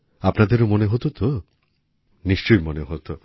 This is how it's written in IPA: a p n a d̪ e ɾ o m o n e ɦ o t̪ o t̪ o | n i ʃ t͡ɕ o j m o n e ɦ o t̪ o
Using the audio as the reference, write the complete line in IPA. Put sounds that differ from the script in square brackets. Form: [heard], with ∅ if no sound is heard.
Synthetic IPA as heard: a p n a d̪ e ɾ o m o n e ɦ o t̪ o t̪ o | n i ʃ t͡ɕ o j m o n e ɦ o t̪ o